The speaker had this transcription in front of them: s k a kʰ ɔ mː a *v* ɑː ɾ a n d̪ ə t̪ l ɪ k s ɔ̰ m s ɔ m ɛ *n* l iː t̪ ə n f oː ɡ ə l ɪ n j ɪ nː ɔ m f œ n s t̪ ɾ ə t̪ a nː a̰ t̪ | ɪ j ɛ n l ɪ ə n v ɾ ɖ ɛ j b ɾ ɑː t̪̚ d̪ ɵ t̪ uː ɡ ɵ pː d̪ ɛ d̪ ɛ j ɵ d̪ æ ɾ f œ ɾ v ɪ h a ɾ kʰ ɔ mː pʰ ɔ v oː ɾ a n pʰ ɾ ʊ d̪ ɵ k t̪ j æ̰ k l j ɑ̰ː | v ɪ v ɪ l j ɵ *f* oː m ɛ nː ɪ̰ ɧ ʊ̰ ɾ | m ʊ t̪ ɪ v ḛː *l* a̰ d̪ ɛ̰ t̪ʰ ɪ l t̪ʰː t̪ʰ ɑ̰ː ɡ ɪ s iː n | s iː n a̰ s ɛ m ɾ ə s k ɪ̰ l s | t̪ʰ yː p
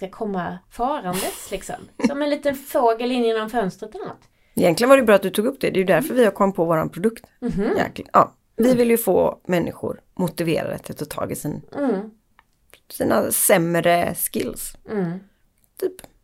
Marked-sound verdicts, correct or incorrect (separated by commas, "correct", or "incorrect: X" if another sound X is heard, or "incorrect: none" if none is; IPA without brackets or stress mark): incorrect: f, correct, correct, incorrect: ɾ